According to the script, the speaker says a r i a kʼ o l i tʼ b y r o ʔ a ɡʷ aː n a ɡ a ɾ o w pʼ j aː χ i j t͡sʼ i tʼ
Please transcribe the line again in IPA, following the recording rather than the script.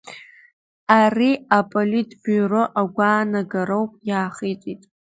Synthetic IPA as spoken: a r i a pʼ o l i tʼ b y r o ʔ a ɡʷ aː n a ɡ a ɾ o w pʼ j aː χ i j t͡sʼ i tʼ

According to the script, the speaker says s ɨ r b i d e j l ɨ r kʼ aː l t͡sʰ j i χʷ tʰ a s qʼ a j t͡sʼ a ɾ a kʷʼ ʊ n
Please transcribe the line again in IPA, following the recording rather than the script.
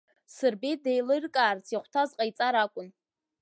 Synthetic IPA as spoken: s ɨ r b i d e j l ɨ r kʼ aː r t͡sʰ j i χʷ tʰ a z qʼ a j t͡sʼ a ɾ a kʷʼ ʊ n

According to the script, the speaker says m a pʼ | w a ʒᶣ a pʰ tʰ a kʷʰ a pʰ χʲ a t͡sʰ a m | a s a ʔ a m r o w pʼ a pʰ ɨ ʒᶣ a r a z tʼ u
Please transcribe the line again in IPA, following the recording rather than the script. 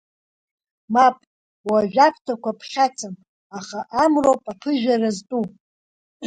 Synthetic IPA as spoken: m a pʼ | w a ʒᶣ a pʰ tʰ a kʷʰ a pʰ χʲ a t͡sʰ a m | a χ a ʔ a m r o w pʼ a pʰ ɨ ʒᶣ a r a z tʼ u

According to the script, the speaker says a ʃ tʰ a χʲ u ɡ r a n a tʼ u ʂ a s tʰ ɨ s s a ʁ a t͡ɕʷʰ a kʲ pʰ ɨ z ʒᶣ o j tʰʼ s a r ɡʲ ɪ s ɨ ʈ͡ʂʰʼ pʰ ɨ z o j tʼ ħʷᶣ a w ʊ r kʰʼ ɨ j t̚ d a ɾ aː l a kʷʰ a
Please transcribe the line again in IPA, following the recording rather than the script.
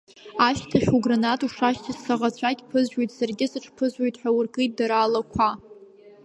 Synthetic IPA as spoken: a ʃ tʰ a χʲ u ɡ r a n a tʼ u ʂ a ʃ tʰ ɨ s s a ʁ a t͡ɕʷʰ a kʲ pʰ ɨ z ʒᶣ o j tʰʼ s a r ɡʲ ɪ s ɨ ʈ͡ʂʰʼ pʰ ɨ z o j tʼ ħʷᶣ a w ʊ r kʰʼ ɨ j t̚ d a ɾ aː l a kʷʰ a

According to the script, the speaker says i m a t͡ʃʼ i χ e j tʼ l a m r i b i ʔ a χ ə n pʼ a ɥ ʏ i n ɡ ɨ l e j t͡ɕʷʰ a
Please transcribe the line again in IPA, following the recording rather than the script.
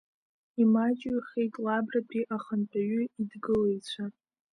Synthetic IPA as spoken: i m a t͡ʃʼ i χ e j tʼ l a b r a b i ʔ a χ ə n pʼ a ɥ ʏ i d ɡ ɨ l e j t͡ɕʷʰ a

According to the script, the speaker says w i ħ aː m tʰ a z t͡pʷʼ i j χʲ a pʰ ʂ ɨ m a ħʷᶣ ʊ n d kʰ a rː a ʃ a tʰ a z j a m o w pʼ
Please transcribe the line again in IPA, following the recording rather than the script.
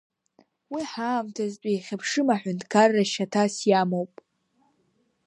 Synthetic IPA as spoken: w i ħ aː m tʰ a z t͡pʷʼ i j χʲ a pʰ ʂ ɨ m a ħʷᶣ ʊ n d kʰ a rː a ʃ a tʰ a s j a m o w pʼ

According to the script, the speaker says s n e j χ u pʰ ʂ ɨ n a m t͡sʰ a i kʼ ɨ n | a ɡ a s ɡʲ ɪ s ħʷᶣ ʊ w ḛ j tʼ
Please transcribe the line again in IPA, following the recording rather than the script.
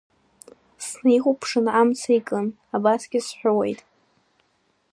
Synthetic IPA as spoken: s n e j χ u pʰ ʂ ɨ n a m t͡sʰ a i kʼ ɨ n | a b a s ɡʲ ɪ s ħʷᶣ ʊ w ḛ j tʼ

